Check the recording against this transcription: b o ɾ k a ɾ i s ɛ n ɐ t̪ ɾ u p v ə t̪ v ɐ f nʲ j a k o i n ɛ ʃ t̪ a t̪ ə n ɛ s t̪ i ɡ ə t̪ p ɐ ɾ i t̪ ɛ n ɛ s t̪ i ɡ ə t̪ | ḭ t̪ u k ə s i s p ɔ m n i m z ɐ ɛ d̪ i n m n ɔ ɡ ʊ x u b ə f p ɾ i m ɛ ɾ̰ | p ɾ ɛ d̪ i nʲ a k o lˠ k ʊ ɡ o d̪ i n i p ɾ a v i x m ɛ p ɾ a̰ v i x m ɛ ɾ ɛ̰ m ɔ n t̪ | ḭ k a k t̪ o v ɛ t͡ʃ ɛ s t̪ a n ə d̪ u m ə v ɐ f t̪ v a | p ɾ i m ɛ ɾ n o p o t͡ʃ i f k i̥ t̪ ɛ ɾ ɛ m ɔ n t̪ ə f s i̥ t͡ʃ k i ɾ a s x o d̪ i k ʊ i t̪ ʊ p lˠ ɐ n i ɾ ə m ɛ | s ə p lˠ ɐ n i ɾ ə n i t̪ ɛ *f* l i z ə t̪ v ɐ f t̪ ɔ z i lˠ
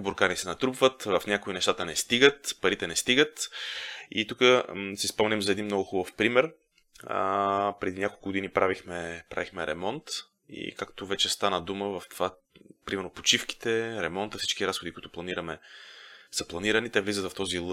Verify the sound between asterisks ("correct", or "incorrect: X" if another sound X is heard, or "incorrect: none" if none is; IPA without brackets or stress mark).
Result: incorrect: v